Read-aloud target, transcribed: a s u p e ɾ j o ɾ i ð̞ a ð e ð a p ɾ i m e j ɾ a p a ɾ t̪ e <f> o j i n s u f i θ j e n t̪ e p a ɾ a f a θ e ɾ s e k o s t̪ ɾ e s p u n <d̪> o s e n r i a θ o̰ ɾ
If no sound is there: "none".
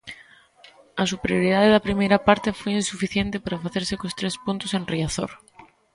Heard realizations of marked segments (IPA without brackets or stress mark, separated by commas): f, t̪